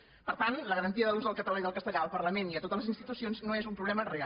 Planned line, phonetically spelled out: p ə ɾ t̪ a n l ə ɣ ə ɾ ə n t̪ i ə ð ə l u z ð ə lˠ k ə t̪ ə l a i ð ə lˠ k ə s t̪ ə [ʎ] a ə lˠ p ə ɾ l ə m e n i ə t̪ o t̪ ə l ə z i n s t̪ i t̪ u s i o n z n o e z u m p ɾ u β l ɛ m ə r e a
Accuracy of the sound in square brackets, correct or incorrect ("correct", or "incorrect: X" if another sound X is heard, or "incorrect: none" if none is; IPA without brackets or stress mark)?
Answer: correct